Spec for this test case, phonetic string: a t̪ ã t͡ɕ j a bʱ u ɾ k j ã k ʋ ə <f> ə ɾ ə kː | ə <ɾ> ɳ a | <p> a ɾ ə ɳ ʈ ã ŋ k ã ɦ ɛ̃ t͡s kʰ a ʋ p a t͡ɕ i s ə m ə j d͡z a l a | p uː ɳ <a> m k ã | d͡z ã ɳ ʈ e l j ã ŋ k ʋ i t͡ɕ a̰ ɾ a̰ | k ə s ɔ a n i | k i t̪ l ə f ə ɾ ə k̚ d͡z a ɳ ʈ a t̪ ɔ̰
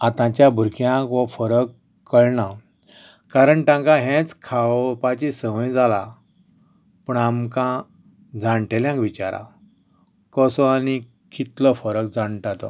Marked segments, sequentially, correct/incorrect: correct, incorrect: ɭ, incorrect: k, correct

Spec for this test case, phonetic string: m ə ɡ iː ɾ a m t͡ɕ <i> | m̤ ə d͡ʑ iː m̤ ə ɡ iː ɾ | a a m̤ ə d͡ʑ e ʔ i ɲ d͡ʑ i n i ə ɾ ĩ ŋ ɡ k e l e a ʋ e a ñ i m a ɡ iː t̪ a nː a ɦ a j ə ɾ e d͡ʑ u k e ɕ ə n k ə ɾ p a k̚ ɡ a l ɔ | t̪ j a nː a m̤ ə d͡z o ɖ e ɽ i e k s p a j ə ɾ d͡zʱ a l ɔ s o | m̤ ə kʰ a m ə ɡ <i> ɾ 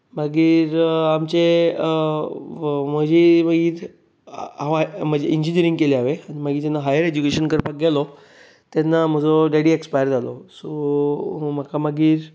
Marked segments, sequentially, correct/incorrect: incorrect: e, incorrect: iː

